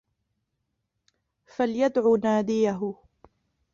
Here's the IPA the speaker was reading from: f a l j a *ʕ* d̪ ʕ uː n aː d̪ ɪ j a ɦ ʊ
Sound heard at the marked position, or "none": none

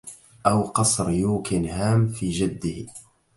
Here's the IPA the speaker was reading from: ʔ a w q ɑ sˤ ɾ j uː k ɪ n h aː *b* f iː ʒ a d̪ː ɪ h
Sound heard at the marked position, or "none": m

